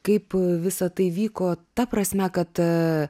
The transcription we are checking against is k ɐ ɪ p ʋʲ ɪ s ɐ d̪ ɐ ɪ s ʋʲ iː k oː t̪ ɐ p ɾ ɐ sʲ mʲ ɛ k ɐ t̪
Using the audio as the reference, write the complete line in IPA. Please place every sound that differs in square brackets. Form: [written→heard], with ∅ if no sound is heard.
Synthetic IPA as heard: k ɐ ɪ p ʋʲ ɪ s ɐ [d̪→t̪] ɐ ɪ [s→∅] ʋʲ iː k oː t̪ ɐ p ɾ ɐ sʲ mʲ ɛ k ɐ t̪